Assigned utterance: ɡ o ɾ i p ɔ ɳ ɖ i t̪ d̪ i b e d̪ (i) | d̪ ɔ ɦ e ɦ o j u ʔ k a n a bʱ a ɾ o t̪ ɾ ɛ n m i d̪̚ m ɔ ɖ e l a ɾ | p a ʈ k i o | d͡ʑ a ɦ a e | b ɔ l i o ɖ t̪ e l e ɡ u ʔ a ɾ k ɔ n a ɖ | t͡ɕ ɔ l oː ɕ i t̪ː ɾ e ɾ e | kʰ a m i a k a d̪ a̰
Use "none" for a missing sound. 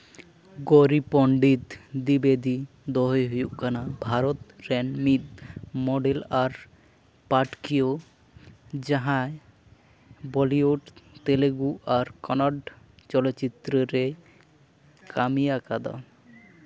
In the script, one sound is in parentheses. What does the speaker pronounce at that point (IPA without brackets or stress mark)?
i